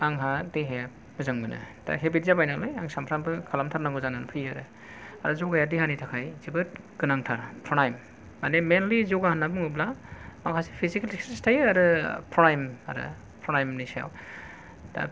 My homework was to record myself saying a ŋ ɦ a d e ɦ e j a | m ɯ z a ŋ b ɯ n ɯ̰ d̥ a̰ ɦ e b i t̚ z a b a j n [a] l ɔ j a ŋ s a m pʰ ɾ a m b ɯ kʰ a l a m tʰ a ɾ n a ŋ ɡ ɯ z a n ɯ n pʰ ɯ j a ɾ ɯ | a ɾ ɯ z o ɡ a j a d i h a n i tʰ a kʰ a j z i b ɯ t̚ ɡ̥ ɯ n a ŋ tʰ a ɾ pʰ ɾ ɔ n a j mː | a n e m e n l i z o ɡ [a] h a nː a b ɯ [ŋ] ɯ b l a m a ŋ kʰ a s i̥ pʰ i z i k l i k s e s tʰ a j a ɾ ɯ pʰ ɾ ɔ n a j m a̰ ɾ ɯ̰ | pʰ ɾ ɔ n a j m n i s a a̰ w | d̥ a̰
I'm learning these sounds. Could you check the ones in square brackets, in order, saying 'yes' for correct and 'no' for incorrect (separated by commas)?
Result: yes, yes, yes